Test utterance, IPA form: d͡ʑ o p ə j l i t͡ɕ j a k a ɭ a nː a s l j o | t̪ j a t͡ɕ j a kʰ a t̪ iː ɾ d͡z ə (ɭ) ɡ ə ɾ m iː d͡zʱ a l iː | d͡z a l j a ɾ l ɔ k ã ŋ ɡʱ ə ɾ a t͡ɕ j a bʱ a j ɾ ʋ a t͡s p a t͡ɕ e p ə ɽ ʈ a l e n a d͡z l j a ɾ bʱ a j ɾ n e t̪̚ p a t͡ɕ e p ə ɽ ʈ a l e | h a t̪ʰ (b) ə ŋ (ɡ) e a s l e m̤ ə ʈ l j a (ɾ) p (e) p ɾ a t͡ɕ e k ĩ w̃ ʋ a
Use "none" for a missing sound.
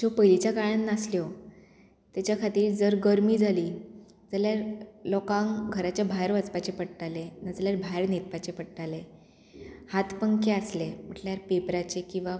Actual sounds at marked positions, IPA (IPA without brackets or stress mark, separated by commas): ɾ, p, k, ɾ, e